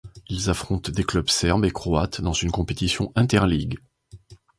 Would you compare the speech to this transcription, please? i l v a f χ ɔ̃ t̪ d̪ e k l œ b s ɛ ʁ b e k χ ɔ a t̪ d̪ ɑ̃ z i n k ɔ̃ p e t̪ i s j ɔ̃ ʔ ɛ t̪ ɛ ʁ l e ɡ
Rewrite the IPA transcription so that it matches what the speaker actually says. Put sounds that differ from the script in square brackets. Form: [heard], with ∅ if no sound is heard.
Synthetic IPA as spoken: i l [z] a f χ ɔ̃ t̪ d̪ e k l œ b s ɛ ʁ b e k χ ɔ a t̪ d̪ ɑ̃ z [y] n k ɔ̃ p e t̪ i s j ɔ̃ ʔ [ɛ̃] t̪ ɛ ʁ l [i] ɡ

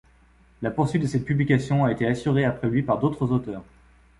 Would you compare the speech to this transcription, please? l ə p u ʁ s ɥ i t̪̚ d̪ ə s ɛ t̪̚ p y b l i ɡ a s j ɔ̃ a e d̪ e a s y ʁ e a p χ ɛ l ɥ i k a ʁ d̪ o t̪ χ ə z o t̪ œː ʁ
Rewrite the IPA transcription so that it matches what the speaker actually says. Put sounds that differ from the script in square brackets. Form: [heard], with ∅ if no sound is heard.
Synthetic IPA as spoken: l [a] p u ʁ s ɥ i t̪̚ d̪ ə s ɛ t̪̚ p y b l i [k] a s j ɔ̃ a e [t̪] e a s y ʁ e a p χ ɛ l ɥ i [p] a ʁ d̪ o t̪ χ ə z o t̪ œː ʁ

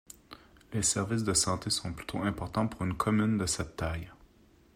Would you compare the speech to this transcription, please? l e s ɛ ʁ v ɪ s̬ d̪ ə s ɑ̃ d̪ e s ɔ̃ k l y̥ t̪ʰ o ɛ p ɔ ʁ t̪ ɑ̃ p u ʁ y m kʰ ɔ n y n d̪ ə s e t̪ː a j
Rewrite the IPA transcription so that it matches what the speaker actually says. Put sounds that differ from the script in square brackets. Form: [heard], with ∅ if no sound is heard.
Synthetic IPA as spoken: l e s ɛ ʁ v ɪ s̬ d̪ ə s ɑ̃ [t̪] e s ɔ̃ [p] l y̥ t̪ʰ o [ɛ̃] p ɔ ʁ t̪ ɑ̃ p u ʁ y [n] kʰ ɔ [m] y n d̪ ə s [ɛ] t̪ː a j

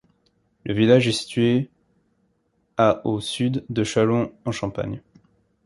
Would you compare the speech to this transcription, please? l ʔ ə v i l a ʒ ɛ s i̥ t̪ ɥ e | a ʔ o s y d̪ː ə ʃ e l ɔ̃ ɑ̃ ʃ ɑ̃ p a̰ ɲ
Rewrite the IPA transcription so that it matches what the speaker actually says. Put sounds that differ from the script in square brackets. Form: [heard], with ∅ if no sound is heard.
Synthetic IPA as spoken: l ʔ ə v i l a ʒ ɛ s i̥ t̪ ɥ e | a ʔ o s y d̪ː ə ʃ [a] l ɔ̃ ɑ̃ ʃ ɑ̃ p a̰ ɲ

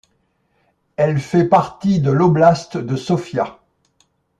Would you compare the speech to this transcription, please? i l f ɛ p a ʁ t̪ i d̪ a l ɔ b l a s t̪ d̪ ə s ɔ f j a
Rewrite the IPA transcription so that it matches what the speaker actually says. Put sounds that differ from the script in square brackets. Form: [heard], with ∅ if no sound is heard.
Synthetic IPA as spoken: [ɛ] l f ɛ p a ʁ t̪ i d̪ [ə] l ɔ b l a s t̪ d̪ ə s ɔ f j a

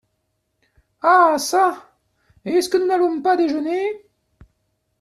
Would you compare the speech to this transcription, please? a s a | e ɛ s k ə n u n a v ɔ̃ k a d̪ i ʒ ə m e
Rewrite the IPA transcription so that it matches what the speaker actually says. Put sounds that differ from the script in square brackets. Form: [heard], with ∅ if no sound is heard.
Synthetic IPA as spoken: a s a | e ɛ s k ə n u n a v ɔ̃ [p] a d̪ [e] ʒ ə [n] e

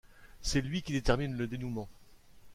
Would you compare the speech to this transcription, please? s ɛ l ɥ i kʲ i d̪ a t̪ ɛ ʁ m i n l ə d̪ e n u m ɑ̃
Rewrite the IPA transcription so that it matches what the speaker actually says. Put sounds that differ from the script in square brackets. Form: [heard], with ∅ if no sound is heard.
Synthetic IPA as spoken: s ɛ l ɥ i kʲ i d̪ [e] t̪ ɛ ʁ m i n l ə d̪ e n u m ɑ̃

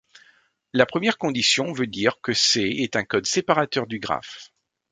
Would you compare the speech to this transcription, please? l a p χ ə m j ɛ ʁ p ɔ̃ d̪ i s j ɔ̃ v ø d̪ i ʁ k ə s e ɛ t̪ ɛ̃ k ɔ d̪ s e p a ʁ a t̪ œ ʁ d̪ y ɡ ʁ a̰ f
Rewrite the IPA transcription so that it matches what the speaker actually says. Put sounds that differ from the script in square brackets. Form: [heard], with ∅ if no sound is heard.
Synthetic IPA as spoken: l a p χ ə m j ɛ ʁ [k] ɔ̃ d̪ i s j ɔ̃ v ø d̪ i ʁ k ə s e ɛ t̪ ɛ̃ k ɔ d̪ s e p a ʁ a t̪ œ ʁ d̪ y ɡ ʁ a̰ f

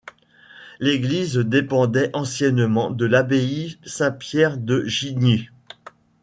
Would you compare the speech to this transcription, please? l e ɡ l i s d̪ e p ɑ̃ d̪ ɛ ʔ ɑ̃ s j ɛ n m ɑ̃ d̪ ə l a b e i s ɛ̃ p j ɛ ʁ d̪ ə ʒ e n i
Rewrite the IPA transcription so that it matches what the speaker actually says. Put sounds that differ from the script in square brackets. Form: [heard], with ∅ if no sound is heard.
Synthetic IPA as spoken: l e ɡ l i [z] d̪ e p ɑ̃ d̪ ɛ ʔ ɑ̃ s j ɛ n m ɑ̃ d̪ ə l a b e i s ɛ̃ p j ɛ ʁ d̪ ə ʒ [i] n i

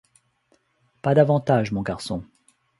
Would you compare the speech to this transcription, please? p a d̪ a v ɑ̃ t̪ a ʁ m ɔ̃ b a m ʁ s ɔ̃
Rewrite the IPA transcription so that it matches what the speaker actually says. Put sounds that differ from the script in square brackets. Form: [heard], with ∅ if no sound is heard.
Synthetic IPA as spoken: p a d̪ a v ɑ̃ t̪ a [ʒ] m ɔ̃ [ɡ] a [∅] ʁ s ɔ̃

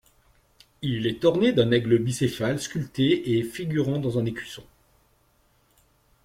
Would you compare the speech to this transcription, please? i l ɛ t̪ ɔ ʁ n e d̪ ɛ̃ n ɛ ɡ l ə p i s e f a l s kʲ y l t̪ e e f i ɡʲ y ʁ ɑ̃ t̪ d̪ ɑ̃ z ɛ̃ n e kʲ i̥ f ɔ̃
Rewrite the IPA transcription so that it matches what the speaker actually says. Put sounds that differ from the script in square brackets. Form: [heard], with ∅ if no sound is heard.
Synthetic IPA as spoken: i l ɛ t̪ ɔ ʁ n e d̪ ɛ̃ n ɛ ɡ l ə [b] i s e f a l s kʲ y l t̪ e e f i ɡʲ y ʁ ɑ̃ [∅] d̪ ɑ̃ z ɛ̃ n e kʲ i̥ [s] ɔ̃

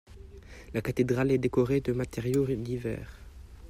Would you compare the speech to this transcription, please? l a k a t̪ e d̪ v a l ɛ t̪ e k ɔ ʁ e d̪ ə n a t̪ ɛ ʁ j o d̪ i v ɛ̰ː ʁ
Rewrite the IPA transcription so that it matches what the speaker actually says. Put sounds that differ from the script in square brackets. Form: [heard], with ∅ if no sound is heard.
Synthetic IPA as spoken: l a k a t̪ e d̪ [ʁ] a l ɛ [d̪] e k ɔ ʁ e d̪ ə [m] a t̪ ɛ ʁ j o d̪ i v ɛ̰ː ʁ

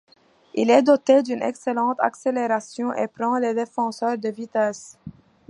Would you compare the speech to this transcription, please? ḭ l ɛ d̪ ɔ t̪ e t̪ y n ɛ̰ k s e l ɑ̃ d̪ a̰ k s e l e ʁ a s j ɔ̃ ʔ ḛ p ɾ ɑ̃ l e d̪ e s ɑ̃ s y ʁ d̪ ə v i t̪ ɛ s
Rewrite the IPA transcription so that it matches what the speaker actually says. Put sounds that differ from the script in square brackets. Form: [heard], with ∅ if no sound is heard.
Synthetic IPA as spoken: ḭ l ɛ d̪ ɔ t̪ e [d̪] y n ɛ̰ k s e l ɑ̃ [t̪] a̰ k s e l e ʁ a s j ɔ̃ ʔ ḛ p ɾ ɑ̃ l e d̪ e [f] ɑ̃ s [œ] ʁ d̪ ə v i t̪ ɛ s

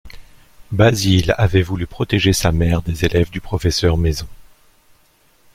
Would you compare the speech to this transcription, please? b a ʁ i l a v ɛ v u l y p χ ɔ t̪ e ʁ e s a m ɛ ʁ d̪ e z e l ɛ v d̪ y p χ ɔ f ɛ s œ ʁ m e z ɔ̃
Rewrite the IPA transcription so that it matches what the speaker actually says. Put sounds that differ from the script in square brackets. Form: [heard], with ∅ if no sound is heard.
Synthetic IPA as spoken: b a [z] i l a v ɛ v u l y p χ ɔ t̪ e [ʒ] e s a m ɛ ʁ d̪ e z e l ɛ v d̪ y p χ ɔ f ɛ s œ ʁ m e z ɔ̃

